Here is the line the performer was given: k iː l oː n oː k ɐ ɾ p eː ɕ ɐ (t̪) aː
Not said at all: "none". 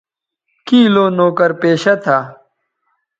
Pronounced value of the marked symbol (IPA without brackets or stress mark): t̪ʰ